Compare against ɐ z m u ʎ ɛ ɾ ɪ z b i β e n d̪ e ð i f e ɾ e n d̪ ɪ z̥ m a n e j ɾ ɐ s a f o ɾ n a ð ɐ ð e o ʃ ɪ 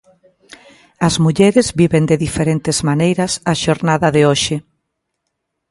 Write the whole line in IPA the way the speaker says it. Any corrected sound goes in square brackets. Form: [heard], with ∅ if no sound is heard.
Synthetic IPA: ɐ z m u ʎ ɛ ɾ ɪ z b i β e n d̪ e ð i f e ɾ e n [t̪] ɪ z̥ m a n e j ɾ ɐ s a [ʃ] o ɾ n a ð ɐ ð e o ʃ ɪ